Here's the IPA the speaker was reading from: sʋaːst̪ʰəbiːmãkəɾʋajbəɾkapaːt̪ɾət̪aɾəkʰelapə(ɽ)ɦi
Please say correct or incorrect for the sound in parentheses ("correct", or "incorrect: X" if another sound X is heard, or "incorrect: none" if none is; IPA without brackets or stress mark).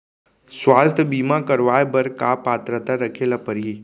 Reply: incorrect: ɾ